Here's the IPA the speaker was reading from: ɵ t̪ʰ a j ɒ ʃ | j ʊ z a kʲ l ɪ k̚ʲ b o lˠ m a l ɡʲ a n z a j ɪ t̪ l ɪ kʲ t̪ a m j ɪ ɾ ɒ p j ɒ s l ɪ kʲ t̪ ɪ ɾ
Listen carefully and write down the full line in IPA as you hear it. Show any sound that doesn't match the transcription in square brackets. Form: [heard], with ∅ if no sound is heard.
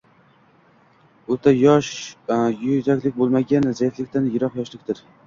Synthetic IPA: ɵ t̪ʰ a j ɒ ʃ | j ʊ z a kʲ l ɪ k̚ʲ b o lˠ m a [∅] ɡʲ a n z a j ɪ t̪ l ɪ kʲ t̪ a [n] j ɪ ɾ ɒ [q] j ɒ [ʃ] l ɪ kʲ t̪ ɪ ɾ